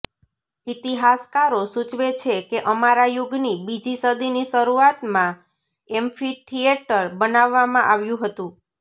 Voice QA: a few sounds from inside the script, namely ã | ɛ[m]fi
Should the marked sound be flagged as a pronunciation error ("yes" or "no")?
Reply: no